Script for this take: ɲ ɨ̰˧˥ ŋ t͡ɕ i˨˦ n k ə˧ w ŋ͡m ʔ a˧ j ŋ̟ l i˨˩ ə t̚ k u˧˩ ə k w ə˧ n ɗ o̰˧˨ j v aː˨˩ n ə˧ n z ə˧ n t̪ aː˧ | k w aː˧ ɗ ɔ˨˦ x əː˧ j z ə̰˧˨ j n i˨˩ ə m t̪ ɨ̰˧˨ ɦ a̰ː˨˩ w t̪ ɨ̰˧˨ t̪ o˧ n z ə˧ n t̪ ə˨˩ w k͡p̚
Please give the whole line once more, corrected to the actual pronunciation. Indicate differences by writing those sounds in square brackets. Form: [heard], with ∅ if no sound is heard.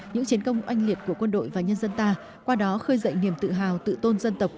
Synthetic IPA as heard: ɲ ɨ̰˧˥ ŋ t͡ɕ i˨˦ n k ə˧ w ŋ͡m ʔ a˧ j ŋ̟ l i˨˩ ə t̚ k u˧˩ ə k w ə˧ n ɗ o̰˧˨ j v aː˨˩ [ɲ] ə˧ n z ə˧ n t̪ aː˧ | k w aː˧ ɗ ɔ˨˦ x əː˧ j z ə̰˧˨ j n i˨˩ ə m t̪ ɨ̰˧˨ ɦ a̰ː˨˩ w t̪ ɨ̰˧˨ t̪ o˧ n z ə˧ n t̪ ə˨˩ w k͡p̚